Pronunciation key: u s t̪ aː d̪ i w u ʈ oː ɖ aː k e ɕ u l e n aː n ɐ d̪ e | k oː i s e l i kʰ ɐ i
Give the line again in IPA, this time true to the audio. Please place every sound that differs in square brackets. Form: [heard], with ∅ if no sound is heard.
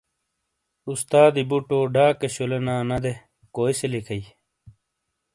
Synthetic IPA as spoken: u s t̪ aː d̪ i [b] u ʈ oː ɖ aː k e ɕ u l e n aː n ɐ d̪ e | k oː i s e l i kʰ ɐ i